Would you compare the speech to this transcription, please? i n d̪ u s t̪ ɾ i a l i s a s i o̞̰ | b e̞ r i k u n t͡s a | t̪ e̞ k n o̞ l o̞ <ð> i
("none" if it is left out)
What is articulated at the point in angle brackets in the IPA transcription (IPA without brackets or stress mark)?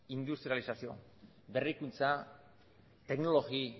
ɣ